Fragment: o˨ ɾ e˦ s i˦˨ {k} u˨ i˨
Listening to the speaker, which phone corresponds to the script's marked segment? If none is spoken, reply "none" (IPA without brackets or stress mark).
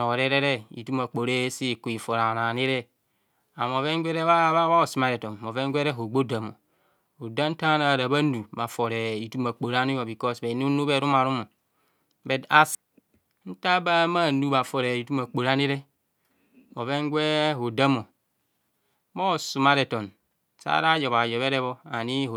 k